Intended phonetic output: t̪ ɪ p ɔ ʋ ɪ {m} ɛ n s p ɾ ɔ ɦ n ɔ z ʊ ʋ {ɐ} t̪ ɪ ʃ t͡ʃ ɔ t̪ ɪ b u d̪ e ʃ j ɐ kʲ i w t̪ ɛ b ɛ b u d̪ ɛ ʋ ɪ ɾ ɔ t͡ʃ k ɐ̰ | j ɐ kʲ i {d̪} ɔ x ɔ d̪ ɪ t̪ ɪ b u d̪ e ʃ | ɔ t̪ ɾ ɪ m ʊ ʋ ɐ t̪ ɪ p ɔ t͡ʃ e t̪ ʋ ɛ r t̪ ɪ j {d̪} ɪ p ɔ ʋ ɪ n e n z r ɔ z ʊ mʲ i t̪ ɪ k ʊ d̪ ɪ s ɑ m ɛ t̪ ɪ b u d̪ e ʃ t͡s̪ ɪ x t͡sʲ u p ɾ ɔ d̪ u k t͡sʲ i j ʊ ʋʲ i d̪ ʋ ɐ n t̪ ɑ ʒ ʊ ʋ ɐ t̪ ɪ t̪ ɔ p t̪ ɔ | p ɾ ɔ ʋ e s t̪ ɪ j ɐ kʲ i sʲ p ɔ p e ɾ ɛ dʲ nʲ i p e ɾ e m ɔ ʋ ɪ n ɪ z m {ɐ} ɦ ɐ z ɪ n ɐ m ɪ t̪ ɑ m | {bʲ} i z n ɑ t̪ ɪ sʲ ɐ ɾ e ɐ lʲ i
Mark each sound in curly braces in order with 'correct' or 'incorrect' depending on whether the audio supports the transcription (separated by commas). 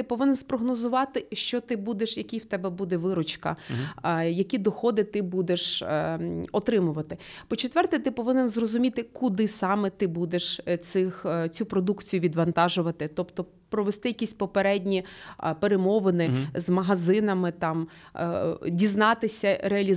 incorrect, incorrect, correct, incorrect, correct, incorrect